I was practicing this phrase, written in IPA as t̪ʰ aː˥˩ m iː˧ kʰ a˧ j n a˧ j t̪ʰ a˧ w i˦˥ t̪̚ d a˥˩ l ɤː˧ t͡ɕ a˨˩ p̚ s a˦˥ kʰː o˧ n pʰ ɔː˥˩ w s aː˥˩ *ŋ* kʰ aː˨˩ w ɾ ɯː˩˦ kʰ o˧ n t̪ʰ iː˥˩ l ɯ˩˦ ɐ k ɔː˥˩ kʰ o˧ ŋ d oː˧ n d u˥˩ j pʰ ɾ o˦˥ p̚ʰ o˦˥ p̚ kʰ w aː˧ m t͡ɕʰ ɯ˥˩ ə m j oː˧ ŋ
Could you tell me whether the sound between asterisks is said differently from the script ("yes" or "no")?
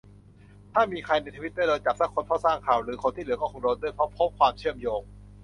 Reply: no